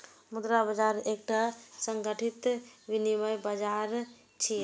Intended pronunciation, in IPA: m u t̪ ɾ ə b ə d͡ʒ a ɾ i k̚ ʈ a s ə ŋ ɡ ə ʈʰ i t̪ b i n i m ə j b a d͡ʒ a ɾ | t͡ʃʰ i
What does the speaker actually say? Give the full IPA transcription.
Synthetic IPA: m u d̪ ɾ a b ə d͡ʒ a ɾ e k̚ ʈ a s ə ŋ ɡ ə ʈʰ i t̪ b i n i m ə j b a d͡ʒ a ɾ | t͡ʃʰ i